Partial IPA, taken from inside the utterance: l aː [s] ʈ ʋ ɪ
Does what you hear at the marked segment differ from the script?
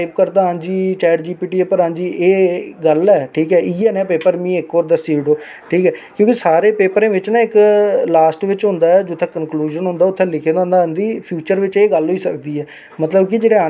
no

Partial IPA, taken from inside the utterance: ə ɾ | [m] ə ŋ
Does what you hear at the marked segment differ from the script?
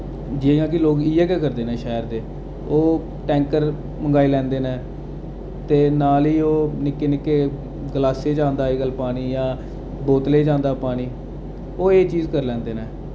no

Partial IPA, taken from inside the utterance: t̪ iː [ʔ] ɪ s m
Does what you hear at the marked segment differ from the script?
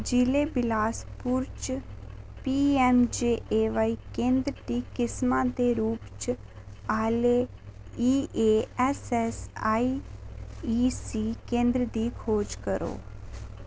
yes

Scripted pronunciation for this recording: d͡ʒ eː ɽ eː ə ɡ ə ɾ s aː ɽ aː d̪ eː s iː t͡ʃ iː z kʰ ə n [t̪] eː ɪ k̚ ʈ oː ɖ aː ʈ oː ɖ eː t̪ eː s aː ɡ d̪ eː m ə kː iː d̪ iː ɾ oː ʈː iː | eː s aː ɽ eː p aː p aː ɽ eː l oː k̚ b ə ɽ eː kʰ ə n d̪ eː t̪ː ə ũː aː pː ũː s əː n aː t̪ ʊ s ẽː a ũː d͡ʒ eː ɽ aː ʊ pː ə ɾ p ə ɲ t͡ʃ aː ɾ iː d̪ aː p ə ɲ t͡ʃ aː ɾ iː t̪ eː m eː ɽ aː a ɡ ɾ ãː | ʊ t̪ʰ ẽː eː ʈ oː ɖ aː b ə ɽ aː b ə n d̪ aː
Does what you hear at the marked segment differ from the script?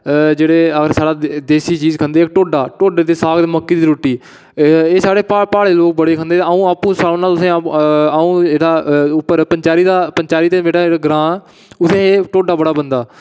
yes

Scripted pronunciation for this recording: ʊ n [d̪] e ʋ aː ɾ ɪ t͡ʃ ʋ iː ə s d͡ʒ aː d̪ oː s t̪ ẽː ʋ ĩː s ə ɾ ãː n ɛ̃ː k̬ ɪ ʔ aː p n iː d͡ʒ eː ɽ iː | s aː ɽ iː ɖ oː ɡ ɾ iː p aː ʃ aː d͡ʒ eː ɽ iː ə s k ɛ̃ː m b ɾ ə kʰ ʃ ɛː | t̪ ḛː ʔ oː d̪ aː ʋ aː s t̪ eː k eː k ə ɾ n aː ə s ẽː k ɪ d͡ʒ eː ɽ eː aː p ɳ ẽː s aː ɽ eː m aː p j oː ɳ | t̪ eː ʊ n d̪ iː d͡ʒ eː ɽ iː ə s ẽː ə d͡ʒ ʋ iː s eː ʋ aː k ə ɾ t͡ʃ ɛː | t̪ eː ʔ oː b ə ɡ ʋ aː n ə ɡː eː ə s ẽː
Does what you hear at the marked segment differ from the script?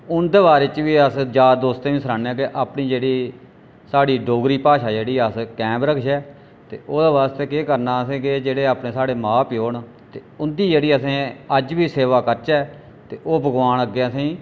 no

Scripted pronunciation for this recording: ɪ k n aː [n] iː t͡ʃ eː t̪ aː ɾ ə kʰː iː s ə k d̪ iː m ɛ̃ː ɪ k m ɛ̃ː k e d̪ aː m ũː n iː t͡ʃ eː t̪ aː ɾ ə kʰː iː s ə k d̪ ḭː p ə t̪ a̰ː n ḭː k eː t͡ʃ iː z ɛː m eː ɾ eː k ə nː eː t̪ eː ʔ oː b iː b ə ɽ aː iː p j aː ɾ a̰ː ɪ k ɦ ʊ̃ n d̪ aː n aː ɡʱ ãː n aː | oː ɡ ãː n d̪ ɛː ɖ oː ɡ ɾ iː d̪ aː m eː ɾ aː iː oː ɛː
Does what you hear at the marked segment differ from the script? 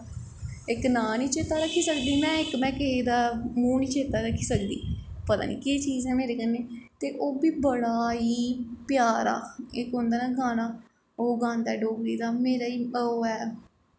no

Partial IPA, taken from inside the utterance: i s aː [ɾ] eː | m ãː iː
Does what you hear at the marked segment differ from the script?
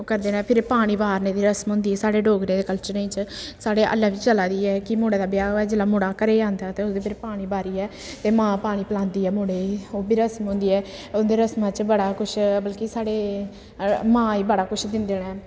yes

